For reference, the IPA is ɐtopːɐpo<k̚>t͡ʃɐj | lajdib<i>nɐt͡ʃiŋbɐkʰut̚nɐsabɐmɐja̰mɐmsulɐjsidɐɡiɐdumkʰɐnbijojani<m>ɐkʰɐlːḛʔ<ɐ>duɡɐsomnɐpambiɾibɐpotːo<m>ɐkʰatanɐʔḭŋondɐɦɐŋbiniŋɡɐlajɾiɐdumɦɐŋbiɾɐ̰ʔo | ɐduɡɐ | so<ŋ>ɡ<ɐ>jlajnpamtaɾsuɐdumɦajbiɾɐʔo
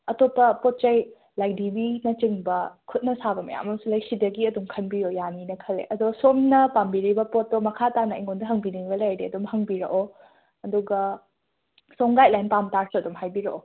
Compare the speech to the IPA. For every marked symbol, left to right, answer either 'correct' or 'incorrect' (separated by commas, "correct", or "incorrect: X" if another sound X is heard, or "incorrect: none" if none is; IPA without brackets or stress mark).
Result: incorrect: t̚, correct, incorrect: n, correct, correct, correct, incorrect: a